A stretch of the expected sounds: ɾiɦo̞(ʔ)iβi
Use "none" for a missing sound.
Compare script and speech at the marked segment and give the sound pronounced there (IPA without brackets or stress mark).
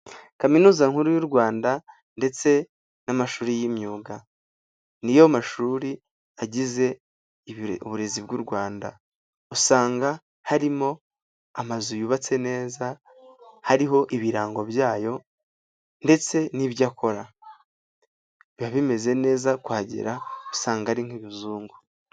ʔ